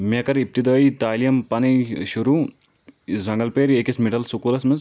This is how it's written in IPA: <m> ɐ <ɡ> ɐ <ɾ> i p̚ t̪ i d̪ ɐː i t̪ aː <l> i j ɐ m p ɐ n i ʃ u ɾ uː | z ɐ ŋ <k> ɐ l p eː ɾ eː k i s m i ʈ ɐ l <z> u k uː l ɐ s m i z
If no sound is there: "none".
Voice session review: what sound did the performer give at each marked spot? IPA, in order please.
m, k, ɾ, l, ɡ, s

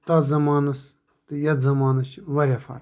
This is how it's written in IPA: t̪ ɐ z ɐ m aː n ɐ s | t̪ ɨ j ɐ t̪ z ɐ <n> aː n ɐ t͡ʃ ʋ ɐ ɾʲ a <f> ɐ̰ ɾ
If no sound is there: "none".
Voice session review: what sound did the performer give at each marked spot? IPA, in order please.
m, f

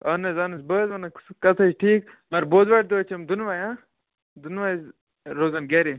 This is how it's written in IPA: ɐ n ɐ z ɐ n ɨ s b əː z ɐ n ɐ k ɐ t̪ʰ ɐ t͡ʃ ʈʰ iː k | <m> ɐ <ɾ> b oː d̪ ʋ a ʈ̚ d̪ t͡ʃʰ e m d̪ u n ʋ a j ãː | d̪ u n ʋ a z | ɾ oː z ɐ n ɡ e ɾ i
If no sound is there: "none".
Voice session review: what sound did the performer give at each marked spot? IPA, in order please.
m, ɾ

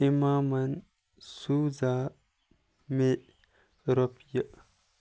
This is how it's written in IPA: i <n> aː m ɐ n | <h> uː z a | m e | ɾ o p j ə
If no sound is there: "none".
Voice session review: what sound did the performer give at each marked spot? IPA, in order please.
m, s

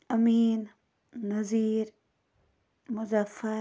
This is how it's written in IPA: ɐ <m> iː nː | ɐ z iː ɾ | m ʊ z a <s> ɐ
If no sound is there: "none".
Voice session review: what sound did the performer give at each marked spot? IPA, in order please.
m, f

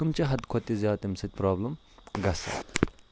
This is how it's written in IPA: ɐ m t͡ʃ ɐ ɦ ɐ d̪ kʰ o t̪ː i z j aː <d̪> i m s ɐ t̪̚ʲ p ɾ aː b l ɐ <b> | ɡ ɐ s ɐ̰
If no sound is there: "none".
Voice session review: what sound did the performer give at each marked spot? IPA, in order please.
t̪, m

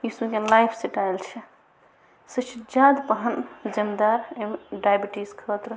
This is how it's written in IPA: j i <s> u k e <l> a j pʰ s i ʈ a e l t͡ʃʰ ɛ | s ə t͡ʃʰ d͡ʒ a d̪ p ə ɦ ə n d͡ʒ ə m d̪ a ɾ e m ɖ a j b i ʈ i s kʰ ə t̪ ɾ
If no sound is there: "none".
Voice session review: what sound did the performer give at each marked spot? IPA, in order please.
s, l

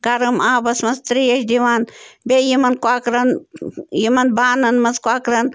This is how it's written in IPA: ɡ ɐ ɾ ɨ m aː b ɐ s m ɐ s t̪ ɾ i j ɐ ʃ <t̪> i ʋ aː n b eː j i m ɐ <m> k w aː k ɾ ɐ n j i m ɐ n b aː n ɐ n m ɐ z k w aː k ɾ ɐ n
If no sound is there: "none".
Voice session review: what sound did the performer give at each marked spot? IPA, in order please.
d̪, n

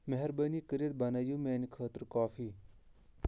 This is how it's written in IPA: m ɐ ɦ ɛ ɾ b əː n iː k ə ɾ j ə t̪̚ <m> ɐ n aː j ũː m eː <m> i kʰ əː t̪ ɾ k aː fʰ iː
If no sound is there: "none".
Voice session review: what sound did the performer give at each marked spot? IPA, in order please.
b, n

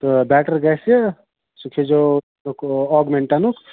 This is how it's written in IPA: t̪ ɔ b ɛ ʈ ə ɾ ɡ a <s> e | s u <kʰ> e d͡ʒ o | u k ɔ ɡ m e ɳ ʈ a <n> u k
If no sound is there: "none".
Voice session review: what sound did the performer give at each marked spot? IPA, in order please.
s, kʰ, n

